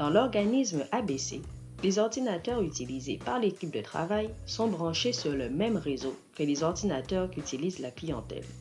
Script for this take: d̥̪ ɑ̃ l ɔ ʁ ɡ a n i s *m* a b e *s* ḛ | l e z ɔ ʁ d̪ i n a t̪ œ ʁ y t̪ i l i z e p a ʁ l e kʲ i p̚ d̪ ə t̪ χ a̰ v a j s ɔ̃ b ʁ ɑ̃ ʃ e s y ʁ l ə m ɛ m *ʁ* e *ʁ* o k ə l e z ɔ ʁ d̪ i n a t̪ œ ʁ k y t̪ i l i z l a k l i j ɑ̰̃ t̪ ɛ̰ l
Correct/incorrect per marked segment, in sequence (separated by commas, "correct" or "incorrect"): correct, correct, correct, incorrect